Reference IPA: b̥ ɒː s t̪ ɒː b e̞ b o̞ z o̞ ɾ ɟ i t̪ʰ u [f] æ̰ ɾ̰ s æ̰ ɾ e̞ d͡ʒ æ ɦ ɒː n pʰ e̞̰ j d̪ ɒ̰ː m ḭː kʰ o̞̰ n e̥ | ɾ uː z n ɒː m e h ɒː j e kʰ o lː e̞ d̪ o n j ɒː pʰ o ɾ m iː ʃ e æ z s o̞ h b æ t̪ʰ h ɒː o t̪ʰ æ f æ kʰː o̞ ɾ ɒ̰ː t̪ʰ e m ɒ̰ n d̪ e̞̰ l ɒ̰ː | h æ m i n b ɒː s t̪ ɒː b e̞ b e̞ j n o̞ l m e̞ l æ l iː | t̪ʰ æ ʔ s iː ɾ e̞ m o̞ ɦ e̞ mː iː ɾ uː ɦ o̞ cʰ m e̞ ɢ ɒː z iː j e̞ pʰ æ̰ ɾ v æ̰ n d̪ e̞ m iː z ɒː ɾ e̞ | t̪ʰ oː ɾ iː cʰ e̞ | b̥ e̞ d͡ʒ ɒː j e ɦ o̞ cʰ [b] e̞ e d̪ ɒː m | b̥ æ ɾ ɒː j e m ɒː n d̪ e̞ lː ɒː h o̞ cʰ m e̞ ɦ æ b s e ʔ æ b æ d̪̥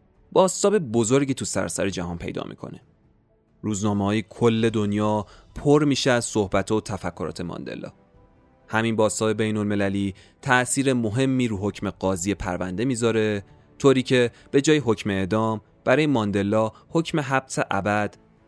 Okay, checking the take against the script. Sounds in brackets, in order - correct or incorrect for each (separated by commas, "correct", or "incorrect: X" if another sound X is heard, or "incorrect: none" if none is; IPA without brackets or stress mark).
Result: incorrect: s, incorrect: m